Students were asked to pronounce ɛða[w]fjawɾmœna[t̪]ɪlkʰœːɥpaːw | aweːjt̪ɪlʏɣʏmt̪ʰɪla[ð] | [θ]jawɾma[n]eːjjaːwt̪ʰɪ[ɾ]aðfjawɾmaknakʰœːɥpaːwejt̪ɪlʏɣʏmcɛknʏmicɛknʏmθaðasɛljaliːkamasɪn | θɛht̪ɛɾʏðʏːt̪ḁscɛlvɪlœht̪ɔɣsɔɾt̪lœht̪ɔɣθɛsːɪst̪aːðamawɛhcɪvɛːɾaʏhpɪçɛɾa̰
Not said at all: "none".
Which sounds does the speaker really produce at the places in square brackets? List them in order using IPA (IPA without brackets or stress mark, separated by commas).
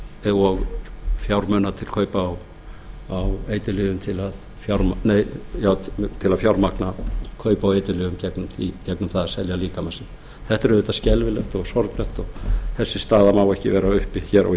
ɣ, t̪ʰ, ð, f, n, l